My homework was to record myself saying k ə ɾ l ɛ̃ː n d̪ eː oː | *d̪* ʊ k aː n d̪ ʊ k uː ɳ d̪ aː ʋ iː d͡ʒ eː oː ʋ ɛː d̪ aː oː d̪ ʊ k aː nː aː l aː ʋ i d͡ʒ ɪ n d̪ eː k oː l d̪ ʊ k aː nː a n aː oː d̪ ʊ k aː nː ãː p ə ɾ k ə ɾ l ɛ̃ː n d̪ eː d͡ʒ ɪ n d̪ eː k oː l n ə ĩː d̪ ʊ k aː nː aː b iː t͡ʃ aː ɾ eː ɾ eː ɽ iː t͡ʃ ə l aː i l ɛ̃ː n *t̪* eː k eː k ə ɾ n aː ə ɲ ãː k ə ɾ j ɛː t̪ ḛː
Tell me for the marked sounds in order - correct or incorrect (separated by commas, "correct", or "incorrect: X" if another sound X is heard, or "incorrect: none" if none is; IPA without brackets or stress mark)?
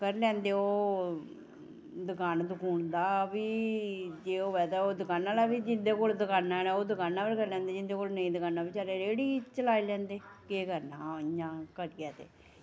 correct, incorrect: d̪